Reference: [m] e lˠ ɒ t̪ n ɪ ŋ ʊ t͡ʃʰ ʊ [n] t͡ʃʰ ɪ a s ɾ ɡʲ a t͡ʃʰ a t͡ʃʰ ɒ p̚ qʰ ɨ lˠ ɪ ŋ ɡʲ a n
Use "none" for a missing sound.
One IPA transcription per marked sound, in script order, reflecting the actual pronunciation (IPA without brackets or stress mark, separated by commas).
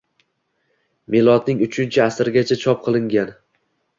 m, n